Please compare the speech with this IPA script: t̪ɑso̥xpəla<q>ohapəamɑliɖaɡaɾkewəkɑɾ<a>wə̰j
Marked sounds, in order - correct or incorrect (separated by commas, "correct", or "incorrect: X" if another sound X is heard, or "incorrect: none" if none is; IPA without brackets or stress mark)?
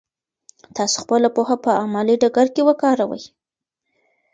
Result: incorrect: p, correct